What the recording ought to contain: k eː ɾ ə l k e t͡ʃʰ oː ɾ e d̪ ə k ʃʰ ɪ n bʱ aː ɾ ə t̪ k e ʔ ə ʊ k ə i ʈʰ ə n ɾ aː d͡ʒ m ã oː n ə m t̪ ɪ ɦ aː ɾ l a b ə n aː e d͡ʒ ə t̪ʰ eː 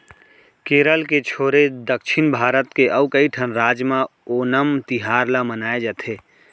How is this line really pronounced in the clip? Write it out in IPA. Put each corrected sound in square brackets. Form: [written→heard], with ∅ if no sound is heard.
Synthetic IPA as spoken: k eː ɾ ə l k e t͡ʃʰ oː ɾ e d̪ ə k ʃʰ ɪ n bʱ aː ɾ ə t̪ k e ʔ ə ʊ k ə i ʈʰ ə n ɾ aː d͡ʒ m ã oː n ə m t̪ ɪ ɦ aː ɾ l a [b→m] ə n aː e d͡ʒ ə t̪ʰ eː